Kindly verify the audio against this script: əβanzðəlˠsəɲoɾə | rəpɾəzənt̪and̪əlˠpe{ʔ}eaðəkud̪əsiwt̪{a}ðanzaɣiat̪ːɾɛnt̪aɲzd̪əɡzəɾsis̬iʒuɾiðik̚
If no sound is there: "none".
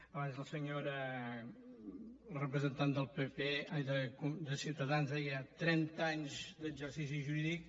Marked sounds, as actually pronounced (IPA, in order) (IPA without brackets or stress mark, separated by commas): p, ə